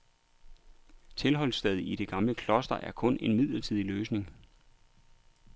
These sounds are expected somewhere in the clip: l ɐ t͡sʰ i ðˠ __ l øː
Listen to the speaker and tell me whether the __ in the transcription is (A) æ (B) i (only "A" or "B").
B